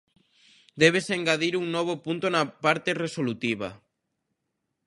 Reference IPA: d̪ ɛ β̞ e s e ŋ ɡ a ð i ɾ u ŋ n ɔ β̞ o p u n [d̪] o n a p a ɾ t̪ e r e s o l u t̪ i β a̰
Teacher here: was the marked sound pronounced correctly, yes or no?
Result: no